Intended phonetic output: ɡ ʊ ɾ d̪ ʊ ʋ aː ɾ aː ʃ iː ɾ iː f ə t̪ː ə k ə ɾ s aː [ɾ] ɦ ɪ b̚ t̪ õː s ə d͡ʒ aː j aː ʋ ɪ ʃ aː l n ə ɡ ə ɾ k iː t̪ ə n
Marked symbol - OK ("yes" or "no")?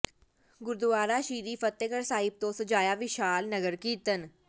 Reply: no